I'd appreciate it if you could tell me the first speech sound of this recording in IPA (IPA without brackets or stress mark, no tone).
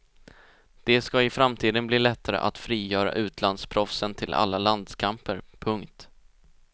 d̪̥